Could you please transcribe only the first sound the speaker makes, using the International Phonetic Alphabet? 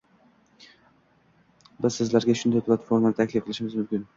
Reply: b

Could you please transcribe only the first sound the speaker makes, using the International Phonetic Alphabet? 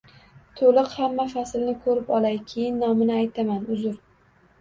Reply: t̪ʰ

